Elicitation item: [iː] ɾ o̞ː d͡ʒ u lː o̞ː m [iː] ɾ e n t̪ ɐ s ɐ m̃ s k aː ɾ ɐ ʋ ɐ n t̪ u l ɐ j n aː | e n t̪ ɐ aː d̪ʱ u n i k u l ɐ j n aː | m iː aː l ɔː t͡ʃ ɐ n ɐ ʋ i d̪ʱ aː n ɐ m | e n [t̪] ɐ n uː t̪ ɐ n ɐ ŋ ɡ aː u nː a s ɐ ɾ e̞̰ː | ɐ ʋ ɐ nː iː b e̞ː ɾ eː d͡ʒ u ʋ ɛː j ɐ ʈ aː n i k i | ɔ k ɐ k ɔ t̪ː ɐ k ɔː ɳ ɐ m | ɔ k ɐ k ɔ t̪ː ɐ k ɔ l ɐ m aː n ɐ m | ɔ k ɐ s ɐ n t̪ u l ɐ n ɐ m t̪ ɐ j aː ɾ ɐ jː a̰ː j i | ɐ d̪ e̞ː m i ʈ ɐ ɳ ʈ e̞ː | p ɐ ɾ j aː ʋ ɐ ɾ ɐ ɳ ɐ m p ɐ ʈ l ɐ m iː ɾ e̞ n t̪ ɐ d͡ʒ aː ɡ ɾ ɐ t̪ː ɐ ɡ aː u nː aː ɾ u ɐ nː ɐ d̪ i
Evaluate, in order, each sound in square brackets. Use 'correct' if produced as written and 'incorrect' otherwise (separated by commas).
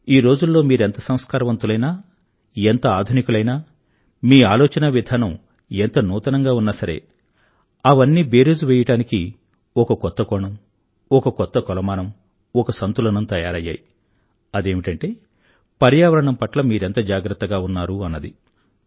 correct, correct, correct